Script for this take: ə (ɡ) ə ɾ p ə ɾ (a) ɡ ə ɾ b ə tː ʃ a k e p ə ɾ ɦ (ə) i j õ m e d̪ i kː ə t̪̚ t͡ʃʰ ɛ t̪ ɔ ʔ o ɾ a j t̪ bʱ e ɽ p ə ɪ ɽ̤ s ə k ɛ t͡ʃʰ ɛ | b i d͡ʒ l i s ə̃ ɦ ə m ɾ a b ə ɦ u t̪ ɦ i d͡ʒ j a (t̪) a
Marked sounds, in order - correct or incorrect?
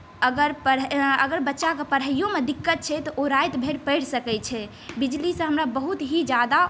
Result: correct, incorrect, correct, incorrect

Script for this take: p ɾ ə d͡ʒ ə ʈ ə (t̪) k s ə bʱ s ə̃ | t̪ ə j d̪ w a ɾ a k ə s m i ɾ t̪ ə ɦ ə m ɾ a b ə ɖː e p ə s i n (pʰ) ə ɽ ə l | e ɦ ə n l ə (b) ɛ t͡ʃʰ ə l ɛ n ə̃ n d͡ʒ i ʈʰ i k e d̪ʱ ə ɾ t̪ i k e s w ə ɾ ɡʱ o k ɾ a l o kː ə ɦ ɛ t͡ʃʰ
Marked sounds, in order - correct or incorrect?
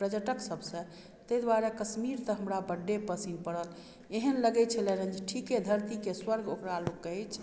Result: incorrect, incorrect, incorrect

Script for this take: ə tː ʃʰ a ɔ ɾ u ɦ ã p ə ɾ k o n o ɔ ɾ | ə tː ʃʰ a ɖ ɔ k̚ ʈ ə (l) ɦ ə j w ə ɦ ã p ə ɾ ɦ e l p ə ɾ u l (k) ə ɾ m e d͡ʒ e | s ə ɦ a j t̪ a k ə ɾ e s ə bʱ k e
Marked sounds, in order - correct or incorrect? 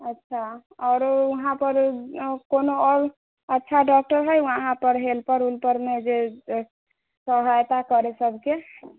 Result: incorrect, incorrect

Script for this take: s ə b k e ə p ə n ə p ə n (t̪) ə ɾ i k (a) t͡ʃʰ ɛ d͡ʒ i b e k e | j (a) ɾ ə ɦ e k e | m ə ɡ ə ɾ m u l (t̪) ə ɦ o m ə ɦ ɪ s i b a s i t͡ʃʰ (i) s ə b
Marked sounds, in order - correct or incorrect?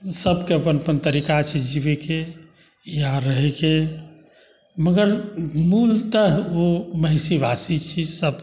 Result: correct, correct, correct, correct, correct

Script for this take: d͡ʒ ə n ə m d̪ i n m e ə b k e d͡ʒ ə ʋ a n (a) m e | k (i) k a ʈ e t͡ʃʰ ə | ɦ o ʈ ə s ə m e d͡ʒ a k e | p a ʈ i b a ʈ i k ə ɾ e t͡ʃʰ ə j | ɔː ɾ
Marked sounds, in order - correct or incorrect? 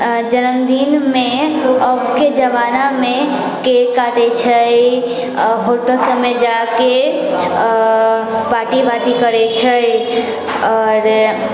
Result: correct, incorrect

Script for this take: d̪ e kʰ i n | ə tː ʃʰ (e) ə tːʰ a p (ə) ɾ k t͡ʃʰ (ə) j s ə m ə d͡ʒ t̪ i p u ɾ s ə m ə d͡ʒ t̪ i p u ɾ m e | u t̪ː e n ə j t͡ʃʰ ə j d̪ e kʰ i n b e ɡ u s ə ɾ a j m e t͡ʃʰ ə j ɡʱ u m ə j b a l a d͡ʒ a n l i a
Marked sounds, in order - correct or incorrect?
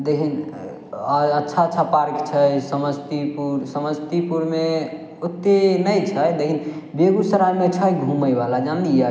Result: incorrect, incorrect, correct

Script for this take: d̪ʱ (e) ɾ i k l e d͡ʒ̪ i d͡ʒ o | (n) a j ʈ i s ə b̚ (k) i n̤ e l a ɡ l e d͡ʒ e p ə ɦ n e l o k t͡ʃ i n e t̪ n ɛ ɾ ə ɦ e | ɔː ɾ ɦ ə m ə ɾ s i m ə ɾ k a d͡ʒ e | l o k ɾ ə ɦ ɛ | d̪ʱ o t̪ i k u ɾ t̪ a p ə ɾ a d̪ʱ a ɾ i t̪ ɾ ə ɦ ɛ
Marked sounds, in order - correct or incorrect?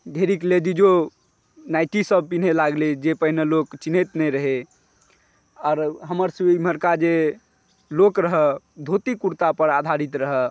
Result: correct, correct, incorrect

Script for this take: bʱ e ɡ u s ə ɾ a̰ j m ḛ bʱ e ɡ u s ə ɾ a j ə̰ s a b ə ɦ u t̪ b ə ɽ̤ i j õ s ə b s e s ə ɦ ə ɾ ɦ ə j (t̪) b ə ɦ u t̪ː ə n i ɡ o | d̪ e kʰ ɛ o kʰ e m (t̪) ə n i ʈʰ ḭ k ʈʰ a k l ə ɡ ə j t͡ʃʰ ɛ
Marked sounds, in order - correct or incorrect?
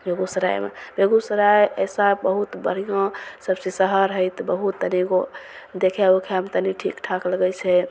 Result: correct, correct

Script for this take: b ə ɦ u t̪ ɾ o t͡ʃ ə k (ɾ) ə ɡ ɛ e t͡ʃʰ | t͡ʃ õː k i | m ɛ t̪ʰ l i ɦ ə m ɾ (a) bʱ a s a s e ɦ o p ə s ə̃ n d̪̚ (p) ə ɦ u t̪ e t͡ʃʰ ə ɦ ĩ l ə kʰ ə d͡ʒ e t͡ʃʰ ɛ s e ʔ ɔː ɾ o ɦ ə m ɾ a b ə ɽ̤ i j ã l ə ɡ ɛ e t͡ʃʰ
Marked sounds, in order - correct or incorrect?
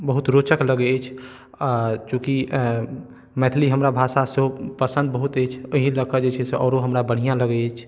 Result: incorrect, correct, incorrect

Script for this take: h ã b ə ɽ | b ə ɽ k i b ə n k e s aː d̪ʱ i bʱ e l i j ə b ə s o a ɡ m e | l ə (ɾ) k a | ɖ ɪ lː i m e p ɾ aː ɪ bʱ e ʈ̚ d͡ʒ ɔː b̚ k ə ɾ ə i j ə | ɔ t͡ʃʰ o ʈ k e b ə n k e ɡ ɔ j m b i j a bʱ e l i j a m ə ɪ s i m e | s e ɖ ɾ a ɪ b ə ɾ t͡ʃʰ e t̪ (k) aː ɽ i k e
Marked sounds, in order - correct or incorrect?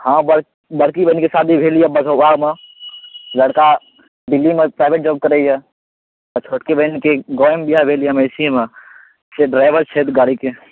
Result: incorrect, incorrect

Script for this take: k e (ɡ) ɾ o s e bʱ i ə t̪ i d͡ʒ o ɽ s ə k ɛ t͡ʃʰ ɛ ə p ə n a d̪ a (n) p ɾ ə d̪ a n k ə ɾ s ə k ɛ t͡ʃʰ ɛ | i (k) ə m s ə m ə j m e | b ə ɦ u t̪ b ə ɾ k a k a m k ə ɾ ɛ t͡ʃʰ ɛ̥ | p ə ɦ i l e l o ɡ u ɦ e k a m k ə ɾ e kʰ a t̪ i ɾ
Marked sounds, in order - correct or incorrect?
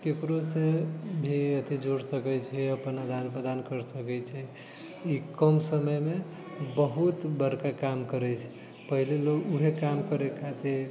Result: incorrect, correct, correct

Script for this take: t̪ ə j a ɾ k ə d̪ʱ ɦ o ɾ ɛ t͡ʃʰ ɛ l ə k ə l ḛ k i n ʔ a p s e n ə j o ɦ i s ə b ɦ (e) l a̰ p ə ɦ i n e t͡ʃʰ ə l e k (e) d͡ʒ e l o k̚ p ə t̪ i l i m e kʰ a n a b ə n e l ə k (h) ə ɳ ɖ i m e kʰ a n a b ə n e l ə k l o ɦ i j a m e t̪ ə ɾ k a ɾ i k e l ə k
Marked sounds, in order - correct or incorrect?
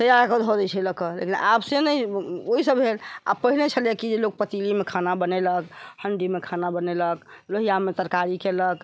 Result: correct, incorrect, correct

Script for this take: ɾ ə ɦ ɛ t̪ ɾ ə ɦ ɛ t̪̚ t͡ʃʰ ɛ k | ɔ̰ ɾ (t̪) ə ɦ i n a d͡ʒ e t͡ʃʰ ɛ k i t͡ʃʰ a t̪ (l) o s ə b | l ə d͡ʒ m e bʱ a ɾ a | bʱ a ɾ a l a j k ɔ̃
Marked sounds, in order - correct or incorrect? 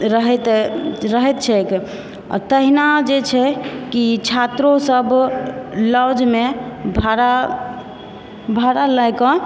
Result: correct, incorrect

